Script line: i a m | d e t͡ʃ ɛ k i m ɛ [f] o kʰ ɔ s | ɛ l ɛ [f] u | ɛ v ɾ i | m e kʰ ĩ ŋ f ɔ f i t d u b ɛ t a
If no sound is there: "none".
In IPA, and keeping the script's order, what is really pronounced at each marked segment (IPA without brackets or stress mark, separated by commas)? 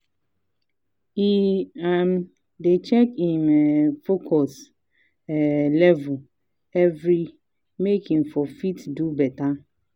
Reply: f, v